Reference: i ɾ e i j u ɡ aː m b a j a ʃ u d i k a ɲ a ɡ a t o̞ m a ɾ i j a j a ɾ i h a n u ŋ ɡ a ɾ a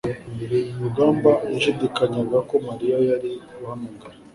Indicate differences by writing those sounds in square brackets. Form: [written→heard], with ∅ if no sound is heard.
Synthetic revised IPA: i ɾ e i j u ɡ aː m b a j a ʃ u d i k a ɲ a ɡ a [t→k] o̞ m a ɾ i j a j a ɾ i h a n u ŋ ɡ a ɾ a